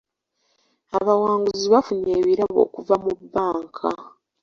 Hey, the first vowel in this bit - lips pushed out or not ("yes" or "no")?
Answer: no